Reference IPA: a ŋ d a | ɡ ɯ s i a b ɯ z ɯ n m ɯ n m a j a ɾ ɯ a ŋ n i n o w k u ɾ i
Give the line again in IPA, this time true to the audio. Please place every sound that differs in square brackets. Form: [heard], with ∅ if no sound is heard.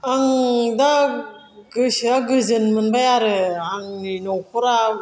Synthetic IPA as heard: a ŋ d a | ɡ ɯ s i a [ɡ] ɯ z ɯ n m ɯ n [b] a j a ɾ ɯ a ŋ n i n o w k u ɾ [a]